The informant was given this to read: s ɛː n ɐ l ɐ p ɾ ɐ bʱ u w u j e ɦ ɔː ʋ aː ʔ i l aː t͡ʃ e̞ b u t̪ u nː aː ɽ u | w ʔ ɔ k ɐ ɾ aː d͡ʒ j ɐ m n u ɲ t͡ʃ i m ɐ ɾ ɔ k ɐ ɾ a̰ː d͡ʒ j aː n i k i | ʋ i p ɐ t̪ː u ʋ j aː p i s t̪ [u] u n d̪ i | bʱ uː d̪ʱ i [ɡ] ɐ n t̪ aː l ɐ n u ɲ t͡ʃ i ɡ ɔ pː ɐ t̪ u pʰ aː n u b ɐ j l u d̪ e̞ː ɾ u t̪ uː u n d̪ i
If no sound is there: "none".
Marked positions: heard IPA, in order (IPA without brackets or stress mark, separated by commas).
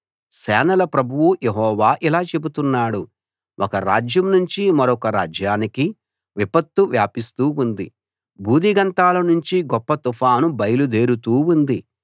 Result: uː, ɡ